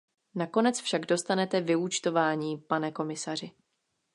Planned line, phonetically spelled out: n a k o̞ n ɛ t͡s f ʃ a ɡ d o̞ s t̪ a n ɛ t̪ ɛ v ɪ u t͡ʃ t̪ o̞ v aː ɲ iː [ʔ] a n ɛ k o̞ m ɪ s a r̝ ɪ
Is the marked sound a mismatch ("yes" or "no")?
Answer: yes